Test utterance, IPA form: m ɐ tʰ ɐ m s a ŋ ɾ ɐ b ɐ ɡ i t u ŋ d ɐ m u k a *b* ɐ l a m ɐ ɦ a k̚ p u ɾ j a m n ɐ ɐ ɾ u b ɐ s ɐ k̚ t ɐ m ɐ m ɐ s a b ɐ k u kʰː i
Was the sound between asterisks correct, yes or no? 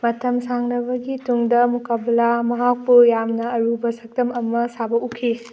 yes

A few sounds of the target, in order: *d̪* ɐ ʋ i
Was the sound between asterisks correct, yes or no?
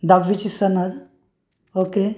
yes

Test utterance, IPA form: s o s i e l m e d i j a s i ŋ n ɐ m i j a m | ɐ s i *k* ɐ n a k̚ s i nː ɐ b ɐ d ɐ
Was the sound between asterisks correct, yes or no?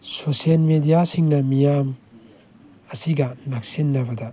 no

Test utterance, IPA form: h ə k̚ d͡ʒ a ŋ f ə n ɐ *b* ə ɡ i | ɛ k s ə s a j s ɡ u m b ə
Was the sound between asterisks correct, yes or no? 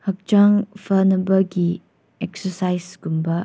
yes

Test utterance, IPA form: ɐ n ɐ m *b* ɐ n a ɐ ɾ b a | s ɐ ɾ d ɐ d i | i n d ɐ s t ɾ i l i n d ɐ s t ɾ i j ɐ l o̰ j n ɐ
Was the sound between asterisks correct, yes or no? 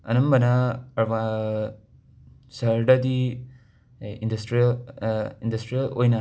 yes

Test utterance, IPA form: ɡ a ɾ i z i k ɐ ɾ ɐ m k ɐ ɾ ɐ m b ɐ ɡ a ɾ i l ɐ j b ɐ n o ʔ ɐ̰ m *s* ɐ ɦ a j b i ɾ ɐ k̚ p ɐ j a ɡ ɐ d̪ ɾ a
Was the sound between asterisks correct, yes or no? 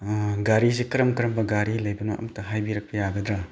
no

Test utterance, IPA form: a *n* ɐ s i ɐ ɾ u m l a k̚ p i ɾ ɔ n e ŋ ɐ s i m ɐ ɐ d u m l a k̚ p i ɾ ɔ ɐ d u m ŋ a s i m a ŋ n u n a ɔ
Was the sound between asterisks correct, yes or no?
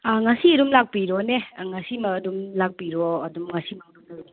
no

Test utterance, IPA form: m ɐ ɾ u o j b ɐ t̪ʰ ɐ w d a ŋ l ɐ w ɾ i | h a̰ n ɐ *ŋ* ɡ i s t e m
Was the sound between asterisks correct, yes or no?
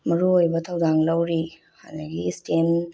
no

